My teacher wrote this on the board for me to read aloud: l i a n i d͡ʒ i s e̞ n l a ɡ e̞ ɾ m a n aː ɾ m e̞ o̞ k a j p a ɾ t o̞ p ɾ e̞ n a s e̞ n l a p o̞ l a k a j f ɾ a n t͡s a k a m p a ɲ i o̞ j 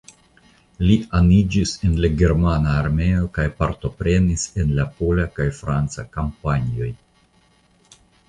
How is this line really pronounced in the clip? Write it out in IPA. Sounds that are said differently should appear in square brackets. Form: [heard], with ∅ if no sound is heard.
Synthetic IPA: l i a n i d͡ʒ i s e̞ n l a ɡ e̞ ɾ m a n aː ɾ m e̞ o̞ k a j p a ɾ t o̞ p ɾ e̞ n [i] s e̞ n l a p o̞ l a k a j f ɾ a n t͡s a k a m p a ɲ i o̞ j